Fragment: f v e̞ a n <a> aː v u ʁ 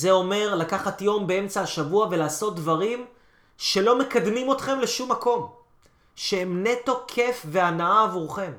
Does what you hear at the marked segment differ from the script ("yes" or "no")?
no